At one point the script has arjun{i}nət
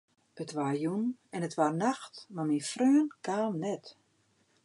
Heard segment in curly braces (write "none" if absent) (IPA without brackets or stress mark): ɛ